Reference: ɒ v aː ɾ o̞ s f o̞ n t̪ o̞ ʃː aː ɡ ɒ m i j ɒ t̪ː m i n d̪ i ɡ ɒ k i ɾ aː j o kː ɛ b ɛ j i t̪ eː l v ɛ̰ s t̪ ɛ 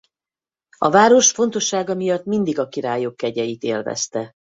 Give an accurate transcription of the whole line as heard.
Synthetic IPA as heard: ɒ v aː ɾ o̞ ʃ f o̞ n t̪ o̞ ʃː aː ɡ ɒ m i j ɒ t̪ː m i n d̪ i ɡ ɒ k i ɾ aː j o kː ɛ ɟ ɛ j i t̪ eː l v ɛ̰ s t̪ ɛ